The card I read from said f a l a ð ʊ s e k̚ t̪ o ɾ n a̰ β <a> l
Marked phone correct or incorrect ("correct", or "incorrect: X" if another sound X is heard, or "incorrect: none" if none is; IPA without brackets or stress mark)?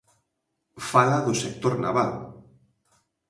correct